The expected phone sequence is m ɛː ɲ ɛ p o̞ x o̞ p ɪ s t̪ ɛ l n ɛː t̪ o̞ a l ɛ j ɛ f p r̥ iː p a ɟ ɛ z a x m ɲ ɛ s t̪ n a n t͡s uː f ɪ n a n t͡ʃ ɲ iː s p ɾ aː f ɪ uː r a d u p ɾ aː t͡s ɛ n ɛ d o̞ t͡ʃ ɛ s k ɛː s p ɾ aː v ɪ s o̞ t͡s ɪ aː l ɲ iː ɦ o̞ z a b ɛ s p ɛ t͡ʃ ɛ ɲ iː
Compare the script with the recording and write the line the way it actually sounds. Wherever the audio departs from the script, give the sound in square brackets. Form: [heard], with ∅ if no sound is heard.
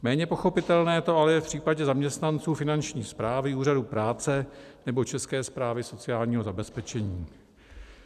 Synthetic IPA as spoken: m ɛː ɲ ɛ p o̞ x o̞ p ɪ [∅] t̪ ɛ l n ɛː t̪ o̞ a l ɛ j ɛ f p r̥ iː p a ɟ ɛ z a [∅] m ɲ ɛ s t̪ n a n t͡s uː f ɪ n a n t͡ʃ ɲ iː s p ɾ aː [v] ɪ uː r a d u p ɾ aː t͡s ɛ n ɛ [b] o̞ t͡ʃ ɛ s k ɛː s p ɾ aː v ɪ s o̞ t͡s ɪ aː l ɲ iː ɦ o̞ z a b ɛ s p ɛ t͡ʃ ɛ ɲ iː